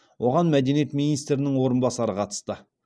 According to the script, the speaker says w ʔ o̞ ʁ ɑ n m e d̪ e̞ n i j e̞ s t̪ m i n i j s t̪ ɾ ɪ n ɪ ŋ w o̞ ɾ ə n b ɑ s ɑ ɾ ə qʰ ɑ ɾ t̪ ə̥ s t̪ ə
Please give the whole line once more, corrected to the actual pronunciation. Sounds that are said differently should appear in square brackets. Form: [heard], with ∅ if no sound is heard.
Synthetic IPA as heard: w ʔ o̞ ʁ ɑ n m [æ] d̪ e̞ n i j e̞ [∅] t̪ m i n i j s t̪ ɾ ɪ n ɪ ŋ w o̞ ɾ ə n b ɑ s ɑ ɾ ə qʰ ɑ [∅] t̪ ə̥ s t̪ ə